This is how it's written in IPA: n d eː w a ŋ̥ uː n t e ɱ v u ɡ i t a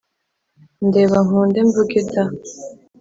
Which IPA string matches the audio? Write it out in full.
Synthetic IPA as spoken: n d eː β a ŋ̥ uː n d e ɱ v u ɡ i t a